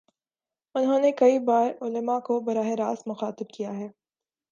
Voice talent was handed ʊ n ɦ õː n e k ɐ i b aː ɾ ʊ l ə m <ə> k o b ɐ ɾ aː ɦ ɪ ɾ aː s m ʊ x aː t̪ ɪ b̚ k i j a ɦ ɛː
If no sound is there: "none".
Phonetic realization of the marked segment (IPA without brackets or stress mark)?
a